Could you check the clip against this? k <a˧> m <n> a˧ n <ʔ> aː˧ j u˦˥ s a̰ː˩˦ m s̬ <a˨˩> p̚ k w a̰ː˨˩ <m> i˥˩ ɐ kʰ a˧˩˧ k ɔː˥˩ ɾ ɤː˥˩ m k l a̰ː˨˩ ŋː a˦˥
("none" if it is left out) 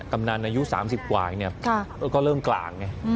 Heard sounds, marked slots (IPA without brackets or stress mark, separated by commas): a˧, n, ʔ, i˨˩, n